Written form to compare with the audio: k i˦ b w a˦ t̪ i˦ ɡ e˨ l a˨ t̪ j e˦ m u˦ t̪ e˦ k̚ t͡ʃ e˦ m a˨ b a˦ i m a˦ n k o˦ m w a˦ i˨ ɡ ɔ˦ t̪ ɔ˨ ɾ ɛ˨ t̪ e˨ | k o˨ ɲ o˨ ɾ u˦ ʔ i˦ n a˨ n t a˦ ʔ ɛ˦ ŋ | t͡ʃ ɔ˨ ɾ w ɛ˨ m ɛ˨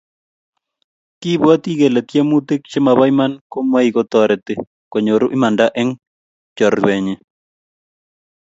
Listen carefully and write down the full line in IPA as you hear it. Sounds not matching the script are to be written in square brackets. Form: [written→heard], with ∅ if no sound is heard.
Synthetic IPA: k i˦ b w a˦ t̪ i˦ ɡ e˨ l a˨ t̪ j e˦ m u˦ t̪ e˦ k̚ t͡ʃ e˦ m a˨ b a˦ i m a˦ n k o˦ m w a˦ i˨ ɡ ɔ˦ t̪ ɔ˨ ɾ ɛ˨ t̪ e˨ | k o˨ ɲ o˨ ɾ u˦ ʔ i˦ [n→m] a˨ n [t→d] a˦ ʔ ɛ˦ ŋ | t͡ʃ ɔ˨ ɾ w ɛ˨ [m→ɲ] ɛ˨